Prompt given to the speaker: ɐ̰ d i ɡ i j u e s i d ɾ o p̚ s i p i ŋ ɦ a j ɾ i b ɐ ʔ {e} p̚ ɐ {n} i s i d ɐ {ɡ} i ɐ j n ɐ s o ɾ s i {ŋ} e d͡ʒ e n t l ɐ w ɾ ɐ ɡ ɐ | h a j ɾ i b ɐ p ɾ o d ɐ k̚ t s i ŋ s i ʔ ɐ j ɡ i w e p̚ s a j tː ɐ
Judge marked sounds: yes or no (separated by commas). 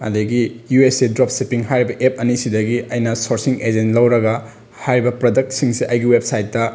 yes, yes, yes, yes